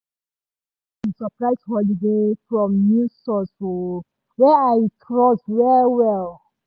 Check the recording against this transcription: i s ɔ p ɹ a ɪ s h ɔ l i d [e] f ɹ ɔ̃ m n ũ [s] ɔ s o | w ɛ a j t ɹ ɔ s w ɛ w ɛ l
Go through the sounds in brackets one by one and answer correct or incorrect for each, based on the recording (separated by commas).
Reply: correct, correct